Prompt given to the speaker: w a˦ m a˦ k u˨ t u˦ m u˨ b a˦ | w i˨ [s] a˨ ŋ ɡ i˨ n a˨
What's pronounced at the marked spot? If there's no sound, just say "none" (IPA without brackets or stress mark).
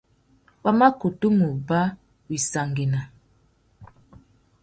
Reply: s